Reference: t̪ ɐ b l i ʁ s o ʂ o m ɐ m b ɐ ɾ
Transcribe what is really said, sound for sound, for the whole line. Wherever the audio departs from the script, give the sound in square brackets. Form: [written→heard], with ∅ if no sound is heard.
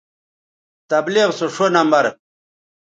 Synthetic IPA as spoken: t̪ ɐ b l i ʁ s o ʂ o [m→n] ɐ m b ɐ ɾ